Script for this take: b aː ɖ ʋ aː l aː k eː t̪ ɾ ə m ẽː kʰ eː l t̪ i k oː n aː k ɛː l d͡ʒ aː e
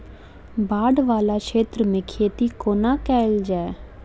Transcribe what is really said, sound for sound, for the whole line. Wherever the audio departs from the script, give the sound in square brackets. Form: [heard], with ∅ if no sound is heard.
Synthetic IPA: b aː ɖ ʋ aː l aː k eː t̪ ɾ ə m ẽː kʰ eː [∅] t̪ i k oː n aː k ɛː l d͡ʒ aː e